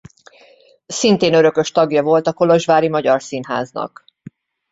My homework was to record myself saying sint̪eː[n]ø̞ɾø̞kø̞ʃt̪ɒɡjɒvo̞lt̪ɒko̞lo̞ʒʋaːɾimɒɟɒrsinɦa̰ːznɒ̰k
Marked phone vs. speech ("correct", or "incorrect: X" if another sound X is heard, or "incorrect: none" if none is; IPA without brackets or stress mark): correct